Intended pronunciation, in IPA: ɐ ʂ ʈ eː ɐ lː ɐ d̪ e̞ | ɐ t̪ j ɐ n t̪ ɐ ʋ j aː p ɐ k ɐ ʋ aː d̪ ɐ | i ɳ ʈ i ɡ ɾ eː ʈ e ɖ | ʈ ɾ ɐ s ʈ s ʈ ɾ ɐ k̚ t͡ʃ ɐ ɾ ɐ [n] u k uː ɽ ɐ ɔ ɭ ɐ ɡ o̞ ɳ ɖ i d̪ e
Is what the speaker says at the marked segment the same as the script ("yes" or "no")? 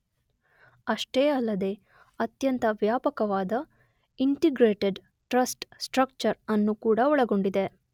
no